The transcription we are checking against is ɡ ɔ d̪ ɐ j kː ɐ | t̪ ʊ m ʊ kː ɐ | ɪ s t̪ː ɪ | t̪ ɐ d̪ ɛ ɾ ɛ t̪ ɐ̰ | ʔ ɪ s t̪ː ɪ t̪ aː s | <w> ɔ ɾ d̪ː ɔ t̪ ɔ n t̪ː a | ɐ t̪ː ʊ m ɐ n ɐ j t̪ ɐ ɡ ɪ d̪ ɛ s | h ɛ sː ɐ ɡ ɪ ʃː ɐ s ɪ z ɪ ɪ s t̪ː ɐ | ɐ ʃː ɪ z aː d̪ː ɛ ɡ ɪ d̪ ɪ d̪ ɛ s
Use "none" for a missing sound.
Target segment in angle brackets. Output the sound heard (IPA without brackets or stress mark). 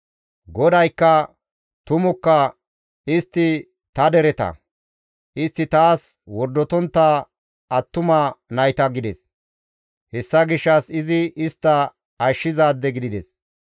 w